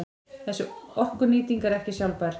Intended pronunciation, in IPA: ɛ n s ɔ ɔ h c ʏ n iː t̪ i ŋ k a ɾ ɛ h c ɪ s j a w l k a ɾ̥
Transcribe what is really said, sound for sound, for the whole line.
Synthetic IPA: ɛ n s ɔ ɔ h k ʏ n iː t̪ i ŋ k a ɾ ɛ h c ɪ s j a w l p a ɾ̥